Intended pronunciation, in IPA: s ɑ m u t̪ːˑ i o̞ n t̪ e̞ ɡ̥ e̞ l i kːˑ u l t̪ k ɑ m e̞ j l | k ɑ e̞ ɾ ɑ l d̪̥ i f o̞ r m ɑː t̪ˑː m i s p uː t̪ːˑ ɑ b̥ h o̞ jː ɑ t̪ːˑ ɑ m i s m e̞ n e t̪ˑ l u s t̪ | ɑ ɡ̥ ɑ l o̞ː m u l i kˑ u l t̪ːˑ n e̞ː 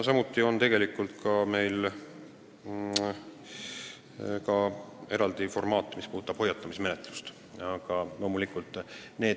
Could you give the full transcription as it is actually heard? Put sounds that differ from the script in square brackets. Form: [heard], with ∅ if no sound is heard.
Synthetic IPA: s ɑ m u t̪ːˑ i o̞ n t̪ e̞ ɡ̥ e̞ l i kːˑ u l t̪ k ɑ m e̞ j l | k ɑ e̞ ɾ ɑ l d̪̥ i f o̞ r m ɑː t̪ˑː m i s p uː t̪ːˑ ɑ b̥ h o̞ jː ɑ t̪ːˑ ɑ m i s m e̞ n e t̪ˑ l u s t̪ | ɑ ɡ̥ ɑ l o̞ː m u l i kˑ u l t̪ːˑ n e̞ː